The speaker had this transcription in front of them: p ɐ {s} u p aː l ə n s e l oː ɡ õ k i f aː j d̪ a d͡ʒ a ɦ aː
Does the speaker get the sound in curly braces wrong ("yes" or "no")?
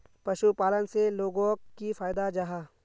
yes